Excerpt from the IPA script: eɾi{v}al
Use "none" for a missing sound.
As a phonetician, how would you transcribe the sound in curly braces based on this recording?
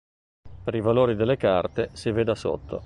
v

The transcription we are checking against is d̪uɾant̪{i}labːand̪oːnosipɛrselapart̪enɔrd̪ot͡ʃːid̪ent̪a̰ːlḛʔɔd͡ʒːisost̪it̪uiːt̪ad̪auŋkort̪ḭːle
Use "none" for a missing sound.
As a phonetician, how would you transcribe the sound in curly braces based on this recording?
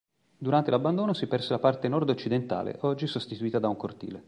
e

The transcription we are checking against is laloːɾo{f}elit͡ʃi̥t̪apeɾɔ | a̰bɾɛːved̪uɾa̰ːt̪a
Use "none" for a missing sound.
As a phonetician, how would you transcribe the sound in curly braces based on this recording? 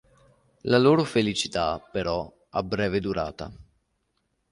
f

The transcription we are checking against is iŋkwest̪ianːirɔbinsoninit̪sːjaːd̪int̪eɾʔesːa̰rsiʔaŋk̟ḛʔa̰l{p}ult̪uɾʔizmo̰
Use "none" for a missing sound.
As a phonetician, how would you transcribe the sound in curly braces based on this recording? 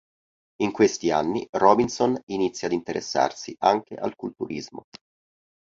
k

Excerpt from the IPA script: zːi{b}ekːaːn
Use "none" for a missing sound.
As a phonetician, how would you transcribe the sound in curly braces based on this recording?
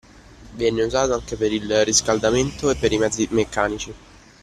m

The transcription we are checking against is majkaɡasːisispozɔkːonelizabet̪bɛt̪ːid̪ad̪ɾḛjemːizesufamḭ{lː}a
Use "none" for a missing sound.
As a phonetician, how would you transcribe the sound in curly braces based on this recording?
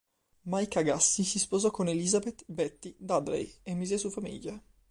ʎː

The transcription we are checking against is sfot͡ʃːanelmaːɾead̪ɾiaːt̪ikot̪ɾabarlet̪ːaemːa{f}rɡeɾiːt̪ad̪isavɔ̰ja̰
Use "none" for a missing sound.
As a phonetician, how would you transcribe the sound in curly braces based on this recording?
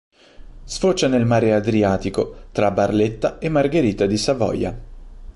none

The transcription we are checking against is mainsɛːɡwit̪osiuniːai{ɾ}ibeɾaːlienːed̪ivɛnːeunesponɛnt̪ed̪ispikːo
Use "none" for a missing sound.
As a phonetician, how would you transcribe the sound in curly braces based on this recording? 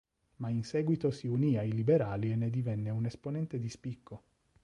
l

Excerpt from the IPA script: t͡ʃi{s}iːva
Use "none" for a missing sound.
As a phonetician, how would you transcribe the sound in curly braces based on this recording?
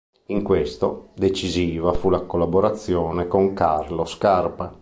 z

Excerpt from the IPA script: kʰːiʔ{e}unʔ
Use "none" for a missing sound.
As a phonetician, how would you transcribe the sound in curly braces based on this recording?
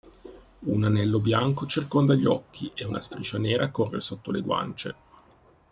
e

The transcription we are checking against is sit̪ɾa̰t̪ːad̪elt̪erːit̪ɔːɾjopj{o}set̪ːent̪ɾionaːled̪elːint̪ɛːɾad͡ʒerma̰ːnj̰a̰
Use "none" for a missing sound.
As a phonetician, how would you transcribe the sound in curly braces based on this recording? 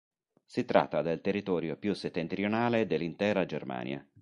u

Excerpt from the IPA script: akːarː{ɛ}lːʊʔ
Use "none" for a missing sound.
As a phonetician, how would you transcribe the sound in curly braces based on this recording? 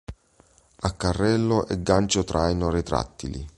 ɛ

